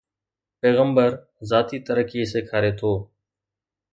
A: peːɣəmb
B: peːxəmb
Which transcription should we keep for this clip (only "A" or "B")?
A